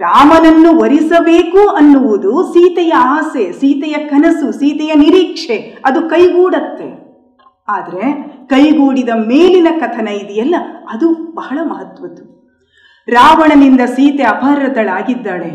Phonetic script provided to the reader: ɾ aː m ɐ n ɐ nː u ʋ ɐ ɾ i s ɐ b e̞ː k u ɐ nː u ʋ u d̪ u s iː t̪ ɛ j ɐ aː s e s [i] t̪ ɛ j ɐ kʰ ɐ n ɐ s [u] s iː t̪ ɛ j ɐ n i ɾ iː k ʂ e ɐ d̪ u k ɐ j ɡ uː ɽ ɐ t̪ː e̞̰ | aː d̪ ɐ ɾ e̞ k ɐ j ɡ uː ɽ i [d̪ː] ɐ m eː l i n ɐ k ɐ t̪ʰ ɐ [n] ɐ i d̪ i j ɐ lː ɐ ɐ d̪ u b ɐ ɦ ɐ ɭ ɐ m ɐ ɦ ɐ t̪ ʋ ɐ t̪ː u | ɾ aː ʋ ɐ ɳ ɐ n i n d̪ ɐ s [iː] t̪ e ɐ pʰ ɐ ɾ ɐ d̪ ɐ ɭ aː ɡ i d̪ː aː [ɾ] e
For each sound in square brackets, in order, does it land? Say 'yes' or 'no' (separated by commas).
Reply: no, yes, no, yes, yes, no